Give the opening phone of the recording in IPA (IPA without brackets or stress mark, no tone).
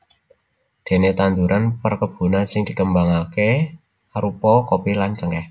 d̪̥